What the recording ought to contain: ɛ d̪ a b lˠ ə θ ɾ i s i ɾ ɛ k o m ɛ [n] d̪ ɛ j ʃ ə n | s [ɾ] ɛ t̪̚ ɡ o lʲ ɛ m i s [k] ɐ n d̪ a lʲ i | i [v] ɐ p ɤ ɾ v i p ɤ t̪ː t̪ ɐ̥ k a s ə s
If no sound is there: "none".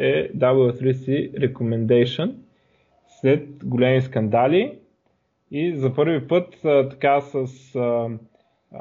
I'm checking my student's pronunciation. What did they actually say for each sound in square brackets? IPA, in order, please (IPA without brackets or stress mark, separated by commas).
n, l, k, z